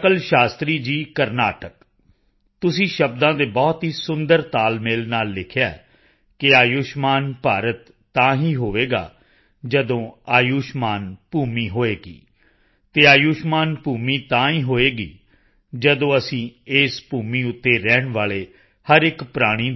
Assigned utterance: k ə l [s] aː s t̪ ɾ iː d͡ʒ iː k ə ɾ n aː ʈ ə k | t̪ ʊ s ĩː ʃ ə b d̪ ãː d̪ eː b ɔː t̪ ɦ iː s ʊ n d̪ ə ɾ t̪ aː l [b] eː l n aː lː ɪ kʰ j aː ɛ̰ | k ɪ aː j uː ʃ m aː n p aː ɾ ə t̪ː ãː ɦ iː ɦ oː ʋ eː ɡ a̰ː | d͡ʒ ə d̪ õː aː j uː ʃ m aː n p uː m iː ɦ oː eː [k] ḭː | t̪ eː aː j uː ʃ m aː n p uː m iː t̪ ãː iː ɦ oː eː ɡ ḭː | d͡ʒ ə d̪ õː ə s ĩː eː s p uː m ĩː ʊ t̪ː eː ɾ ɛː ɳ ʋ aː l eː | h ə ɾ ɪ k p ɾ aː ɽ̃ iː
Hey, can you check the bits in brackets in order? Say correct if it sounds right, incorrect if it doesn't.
incorrect: ʃ, incorrect: m, incorrect: ɡ

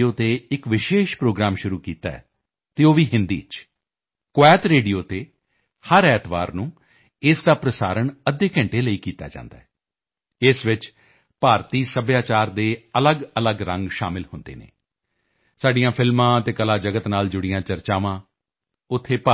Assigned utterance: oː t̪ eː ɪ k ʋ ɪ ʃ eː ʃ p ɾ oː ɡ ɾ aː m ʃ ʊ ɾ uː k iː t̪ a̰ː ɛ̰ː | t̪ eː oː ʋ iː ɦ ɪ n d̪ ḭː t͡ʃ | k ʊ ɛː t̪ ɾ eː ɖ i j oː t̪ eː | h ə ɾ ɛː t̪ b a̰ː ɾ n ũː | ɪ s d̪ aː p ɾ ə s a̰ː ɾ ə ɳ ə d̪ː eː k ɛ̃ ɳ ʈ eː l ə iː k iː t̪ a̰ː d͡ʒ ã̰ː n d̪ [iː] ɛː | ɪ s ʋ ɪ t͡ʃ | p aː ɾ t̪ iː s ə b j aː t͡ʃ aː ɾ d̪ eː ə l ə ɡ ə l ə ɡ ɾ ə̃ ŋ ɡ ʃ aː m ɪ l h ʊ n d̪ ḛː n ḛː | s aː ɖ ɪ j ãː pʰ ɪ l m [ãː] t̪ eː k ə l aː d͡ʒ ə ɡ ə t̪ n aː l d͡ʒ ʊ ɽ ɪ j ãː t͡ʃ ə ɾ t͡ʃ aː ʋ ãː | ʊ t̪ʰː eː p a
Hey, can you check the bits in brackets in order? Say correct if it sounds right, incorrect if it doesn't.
incorrect: aː, correct

